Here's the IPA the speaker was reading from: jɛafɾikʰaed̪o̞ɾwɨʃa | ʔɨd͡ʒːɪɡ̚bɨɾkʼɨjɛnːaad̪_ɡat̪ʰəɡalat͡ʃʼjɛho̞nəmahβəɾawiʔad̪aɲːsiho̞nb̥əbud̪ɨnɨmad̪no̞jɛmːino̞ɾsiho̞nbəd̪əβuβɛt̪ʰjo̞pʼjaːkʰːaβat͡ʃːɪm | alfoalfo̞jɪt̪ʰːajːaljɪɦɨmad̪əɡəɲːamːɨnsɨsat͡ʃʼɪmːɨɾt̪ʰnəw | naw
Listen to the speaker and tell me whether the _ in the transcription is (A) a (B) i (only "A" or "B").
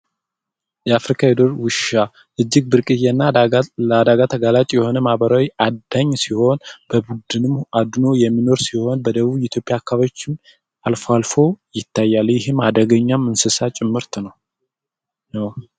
A